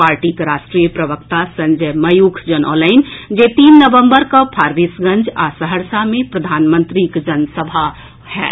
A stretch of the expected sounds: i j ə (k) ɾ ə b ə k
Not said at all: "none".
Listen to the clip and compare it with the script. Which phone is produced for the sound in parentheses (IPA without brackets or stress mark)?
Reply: p